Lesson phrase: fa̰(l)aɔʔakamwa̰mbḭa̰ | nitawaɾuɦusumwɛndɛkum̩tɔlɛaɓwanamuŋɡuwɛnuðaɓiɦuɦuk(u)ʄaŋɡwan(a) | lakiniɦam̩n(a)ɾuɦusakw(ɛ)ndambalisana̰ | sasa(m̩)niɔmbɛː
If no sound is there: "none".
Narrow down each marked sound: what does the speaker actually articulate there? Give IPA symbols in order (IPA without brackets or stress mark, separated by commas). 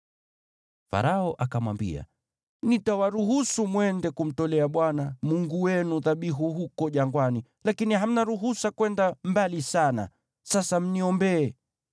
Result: ɾ, ɔ, i, a, ɛ, m̩